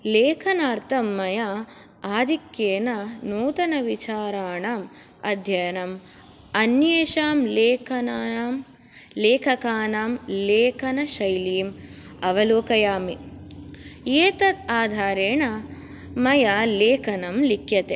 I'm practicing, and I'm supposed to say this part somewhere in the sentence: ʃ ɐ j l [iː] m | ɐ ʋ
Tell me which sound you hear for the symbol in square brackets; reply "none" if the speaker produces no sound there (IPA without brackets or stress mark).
iː